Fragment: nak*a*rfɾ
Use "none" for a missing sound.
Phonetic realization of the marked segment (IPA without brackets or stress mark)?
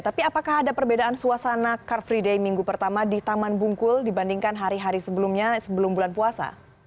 a